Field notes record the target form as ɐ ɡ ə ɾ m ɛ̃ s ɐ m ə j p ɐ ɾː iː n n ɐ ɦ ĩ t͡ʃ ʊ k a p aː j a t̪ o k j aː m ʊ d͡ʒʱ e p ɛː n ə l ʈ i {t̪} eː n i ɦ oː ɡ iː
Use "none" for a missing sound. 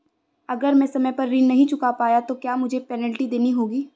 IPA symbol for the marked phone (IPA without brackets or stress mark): d̪